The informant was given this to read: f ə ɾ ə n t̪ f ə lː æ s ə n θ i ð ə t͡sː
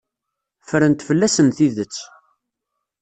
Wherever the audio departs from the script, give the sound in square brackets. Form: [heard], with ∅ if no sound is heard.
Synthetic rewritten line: f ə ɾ ə n t̪ f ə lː æ s ə n θ i ð ə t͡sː